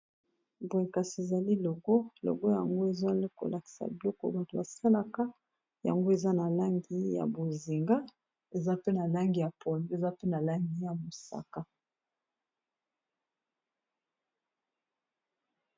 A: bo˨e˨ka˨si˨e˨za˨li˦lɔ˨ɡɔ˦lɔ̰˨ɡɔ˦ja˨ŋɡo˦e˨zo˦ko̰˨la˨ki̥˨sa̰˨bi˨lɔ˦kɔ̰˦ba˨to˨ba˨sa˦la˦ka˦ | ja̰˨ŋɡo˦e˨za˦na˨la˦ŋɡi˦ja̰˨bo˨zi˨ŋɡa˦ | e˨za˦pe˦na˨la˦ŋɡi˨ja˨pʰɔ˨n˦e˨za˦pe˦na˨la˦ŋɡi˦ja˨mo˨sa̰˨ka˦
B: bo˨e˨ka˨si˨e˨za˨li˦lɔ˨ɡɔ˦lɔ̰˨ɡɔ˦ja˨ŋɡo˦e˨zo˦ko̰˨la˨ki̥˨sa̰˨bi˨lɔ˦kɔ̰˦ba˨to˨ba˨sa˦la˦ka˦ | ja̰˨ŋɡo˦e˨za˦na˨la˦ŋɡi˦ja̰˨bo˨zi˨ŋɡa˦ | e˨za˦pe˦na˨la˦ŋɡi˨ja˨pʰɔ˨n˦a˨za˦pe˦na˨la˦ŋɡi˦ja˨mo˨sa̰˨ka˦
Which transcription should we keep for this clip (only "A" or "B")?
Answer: A